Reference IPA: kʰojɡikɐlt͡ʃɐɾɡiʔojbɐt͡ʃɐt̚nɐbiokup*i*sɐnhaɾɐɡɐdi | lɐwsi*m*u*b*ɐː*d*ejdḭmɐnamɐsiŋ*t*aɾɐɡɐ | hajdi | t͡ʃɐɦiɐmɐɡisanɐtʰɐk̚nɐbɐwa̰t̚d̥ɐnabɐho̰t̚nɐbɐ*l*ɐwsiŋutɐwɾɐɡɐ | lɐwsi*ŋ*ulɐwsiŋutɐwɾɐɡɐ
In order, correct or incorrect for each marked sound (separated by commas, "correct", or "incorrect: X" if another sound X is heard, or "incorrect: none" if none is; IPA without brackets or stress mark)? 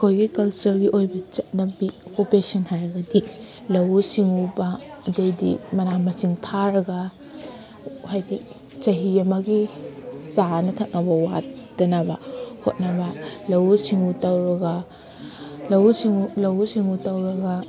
incorrect: e, incorrect: ŋ, correct, correct, incorrect: tʰ, correct, correct